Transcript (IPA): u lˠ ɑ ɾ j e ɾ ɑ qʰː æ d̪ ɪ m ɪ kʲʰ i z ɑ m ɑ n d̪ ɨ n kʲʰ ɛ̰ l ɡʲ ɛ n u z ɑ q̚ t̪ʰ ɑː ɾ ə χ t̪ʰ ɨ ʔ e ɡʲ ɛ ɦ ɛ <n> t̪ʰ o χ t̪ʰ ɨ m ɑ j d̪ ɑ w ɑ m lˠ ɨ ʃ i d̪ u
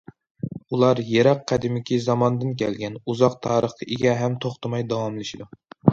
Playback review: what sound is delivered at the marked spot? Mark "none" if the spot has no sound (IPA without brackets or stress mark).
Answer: m